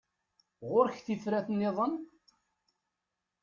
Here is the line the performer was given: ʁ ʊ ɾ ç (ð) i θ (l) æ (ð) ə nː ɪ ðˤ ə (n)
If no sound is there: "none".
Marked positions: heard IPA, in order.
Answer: θ, ɾ, θ, n

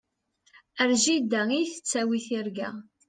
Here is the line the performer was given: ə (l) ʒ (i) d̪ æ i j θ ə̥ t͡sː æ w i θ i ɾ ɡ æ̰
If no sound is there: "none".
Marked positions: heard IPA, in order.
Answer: ɾ, i

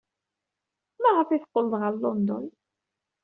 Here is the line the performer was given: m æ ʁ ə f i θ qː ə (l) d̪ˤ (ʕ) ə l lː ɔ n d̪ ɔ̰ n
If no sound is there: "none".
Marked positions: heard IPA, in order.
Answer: l, ʁ

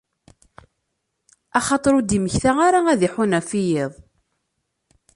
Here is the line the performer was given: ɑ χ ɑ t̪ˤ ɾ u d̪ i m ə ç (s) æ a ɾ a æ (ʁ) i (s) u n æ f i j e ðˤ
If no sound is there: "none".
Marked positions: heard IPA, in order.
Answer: θ, ð, ħ

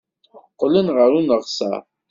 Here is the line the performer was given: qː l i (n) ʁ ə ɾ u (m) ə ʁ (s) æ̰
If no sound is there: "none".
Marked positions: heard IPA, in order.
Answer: n, n, s

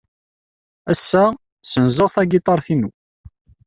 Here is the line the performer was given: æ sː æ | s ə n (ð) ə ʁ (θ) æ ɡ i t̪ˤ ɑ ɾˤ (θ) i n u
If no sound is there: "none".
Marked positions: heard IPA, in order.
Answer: z, θ, θ

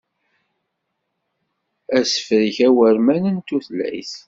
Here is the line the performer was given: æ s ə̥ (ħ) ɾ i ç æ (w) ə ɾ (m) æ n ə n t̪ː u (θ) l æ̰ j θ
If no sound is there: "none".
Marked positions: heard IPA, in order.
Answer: f, w, m, θ

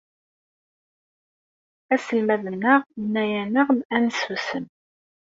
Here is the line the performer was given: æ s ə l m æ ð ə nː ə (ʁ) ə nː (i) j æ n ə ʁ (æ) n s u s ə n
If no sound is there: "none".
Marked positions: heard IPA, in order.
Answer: ʁ, æ, æ

